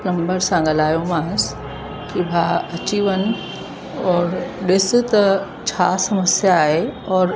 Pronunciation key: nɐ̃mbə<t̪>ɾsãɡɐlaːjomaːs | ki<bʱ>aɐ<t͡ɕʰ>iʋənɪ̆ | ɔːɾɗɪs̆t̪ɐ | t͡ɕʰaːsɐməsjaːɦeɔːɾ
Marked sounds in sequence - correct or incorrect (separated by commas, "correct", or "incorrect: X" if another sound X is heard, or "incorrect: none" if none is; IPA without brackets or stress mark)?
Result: incorrect: none, correct, incorrect: t͡ɕ